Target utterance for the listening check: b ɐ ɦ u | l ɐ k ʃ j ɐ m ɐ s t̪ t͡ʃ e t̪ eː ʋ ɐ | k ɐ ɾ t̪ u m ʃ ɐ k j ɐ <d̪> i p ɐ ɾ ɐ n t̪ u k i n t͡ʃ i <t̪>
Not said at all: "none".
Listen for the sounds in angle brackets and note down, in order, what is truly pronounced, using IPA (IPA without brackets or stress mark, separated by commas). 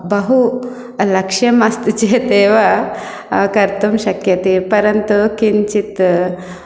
t̪, t̪